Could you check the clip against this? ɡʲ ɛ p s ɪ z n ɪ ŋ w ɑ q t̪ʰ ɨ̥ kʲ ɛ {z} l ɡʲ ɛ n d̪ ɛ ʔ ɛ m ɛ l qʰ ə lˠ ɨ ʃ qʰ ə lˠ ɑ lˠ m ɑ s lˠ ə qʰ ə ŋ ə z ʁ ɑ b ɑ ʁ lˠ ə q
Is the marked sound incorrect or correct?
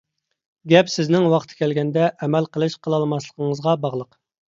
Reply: incorrect: none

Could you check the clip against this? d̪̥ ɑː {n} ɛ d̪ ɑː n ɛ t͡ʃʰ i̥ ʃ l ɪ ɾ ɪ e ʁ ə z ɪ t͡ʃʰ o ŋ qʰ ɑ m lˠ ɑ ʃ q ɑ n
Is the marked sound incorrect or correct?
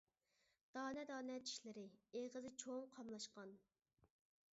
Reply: correct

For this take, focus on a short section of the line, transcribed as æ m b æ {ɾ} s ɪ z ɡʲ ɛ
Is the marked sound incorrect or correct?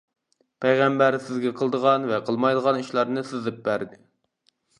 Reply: correct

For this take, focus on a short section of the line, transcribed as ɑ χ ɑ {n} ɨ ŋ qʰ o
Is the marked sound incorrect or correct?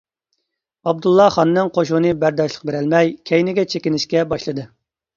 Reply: incorrect: nː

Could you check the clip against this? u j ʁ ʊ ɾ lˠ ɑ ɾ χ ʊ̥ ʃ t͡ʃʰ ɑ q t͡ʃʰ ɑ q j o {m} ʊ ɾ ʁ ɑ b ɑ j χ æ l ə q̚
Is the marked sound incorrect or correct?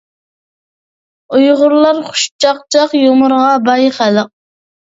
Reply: correct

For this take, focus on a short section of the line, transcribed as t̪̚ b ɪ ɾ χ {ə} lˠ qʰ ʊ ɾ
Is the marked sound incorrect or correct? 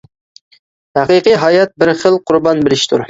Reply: correct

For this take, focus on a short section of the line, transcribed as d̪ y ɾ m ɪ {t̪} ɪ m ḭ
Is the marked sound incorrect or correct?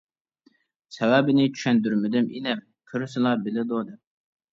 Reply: incorrect: d̪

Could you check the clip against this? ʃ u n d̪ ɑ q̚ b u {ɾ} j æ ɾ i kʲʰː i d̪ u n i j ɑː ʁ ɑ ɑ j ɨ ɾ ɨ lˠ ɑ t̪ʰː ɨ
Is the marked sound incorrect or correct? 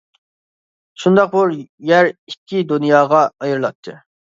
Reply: correct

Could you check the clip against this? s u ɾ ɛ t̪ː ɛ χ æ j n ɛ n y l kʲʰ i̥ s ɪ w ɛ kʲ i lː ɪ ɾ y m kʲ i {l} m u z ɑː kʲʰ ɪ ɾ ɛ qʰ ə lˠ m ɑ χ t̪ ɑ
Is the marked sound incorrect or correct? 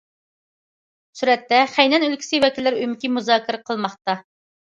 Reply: incorrect: none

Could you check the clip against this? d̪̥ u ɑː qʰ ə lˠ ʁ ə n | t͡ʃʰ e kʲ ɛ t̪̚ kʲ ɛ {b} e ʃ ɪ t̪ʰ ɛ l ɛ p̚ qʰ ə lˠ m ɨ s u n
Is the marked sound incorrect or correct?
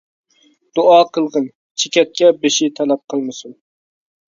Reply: correct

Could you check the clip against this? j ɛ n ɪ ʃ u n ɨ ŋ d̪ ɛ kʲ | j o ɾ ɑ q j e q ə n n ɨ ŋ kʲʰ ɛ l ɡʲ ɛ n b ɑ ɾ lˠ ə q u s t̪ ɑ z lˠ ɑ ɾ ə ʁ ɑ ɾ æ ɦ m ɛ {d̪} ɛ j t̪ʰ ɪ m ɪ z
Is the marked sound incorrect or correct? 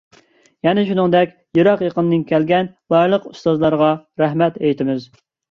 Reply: incorrect: t̪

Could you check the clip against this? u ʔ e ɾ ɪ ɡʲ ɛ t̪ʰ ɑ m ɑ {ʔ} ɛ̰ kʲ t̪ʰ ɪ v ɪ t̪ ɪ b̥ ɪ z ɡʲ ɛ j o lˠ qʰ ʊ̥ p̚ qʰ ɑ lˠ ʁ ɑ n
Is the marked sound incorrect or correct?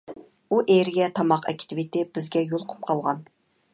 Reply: incorrect: q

